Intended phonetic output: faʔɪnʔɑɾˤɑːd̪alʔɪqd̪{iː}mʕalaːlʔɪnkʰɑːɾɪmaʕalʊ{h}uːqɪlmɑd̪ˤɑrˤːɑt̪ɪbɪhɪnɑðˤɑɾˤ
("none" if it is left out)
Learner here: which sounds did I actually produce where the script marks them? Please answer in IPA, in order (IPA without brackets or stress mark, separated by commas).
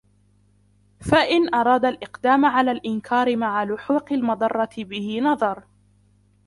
aː, ħ